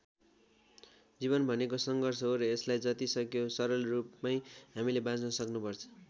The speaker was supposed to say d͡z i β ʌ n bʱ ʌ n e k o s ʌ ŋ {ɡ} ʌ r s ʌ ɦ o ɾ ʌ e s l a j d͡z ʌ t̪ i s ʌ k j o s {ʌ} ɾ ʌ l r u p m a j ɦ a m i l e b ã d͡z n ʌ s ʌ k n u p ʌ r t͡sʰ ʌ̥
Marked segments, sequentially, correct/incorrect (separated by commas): correct, correct